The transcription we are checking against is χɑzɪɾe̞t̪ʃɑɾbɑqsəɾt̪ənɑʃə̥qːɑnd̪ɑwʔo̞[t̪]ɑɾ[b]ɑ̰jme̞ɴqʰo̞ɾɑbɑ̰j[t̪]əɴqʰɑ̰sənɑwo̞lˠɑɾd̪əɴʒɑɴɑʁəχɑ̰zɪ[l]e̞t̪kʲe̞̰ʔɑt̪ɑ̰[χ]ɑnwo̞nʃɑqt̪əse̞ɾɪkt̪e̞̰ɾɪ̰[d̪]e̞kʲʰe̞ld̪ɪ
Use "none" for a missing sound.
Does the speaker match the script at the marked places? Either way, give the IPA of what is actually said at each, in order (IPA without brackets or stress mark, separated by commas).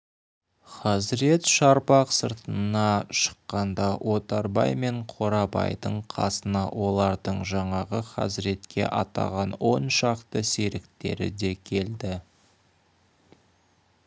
t̪, b, d̪, ɾ, ʁ, d̪